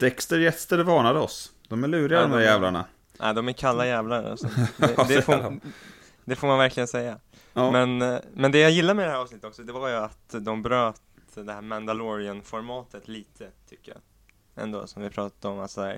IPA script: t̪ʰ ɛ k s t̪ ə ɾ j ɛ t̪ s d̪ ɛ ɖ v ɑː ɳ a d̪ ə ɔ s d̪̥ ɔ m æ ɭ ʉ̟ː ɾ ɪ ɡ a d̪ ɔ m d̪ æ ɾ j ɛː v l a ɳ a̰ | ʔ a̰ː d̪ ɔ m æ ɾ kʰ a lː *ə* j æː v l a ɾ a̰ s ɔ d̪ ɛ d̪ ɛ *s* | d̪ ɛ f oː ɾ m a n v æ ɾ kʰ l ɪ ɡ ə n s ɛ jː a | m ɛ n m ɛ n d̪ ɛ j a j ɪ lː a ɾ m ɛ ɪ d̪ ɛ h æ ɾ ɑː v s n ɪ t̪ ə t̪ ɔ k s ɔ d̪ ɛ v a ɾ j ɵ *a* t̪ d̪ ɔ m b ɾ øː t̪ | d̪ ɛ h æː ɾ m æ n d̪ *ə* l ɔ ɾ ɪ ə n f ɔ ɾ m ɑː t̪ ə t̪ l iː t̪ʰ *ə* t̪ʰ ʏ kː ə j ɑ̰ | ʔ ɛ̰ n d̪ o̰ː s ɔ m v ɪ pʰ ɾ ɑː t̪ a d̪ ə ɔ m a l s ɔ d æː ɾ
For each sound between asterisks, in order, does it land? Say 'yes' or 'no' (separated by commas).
no, no, yes, no, yes